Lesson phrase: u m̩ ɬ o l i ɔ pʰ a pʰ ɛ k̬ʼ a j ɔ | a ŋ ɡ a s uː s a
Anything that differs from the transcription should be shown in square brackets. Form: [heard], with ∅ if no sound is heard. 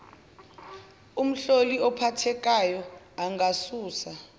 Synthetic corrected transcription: u m̩ ɬ o l i ɔ pʰ a [tʰ] ɛ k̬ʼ a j ɔ | a ŋ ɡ a s uː s a